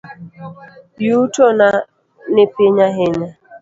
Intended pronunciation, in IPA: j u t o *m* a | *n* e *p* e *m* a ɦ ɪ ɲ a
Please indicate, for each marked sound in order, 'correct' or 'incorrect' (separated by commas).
incorrect, correct, correct, incorrect